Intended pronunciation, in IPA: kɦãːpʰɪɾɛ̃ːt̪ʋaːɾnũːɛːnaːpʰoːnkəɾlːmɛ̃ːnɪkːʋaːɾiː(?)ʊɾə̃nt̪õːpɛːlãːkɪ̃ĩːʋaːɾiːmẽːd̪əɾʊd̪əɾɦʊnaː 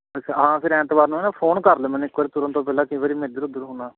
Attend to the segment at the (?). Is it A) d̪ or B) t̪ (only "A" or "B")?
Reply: B